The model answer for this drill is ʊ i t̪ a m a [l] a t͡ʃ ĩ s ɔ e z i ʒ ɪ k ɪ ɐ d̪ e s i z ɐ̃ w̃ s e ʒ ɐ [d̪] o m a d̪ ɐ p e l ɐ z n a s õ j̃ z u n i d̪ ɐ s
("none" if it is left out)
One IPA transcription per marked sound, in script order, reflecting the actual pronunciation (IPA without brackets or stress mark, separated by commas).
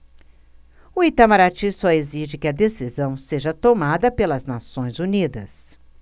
ɾ, t̪